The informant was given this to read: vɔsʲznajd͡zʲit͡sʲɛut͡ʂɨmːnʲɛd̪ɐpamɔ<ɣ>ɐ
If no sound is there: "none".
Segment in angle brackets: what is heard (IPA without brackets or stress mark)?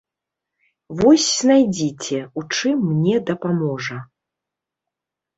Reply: ʐ